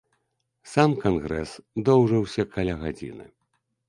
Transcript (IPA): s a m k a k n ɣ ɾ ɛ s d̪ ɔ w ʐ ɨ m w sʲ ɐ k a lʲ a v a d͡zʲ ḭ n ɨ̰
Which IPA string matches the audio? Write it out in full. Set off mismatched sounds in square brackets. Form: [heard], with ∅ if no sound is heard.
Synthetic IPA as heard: s a m k a [∅] n ɣ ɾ ɛ s d̪ ɔ w ʐ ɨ [∅] w sʲ ɐ k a lʲ a [ɣ] a d͡zʲ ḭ n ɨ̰